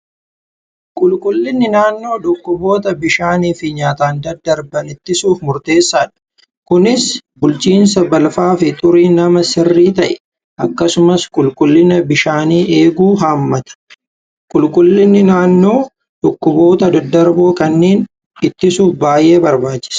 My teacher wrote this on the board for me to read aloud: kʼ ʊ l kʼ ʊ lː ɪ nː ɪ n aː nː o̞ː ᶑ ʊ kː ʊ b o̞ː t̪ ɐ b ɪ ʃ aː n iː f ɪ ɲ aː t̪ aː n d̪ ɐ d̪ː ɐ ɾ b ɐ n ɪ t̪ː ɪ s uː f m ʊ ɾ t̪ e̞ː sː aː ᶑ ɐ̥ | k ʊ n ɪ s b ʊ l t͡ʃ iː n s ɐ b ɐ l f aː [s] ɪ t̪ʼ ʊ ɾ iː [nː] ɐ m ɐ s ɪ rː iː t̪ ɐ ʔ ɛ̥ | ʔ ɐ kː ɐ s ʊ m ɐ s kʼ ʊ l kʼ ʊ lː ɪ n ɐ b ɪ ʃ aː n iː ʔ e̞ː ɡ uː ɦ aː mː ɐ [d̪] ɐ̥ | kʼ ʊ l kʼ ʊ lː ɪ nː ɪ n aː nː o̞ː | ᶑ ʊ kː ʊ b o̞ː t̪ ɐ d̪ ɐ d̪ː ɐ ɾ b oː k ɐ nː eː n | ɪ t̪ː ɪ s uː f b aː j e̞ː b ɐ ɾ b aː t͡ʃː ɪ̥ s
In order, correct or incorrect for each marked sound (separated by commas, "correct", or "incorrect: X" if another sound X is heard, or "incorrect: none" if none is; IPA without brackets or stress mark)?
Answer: incorrect: f, incorrect: n, incorrect: t̪